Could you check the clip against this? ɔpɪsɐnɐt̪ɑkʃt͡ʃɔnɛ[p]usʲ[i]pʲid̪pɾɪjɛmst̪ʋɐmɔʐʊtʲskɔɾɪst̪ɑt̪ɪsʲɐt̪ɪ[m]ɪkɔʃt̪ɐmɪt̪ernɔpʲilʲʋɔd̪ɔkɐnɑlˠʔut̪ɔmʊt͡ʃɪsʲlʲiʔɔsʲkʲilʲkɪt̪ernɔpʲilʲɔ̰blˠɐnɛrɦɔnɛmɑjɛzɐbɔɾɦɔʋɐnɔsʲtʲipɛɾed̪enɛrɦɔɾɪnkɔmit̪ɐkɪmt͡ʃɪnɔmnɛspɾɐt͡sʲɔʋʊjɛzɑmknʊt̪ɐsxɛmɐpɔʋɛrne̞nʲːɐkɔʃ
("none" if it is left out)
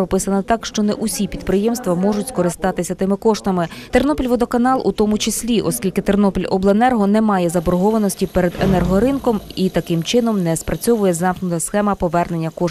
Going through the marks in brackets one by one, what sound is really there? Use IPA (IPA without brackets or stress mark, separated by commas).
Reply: ʔ, i, m